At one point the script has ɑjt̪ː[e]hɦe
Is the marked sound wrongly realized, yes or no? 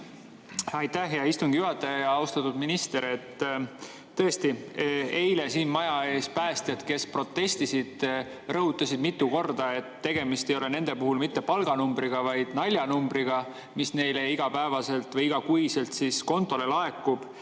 yes